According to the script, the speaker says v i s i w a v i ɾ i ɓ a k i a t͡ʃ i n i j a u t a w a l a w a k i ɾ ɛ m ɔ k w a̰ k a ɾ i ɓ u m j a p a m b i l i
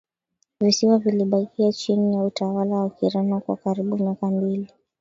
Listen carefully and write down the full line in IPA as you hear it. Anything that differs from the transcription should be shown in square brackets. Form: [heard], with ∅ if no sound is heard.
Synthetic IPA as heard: v i s i w a v i [l] i ɓ a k i a t͡ʃ i n i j a u t a w a l a w a k i ɾ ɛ [n] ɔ k w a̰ k a ɾ i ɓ u m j a [k] a m b i l i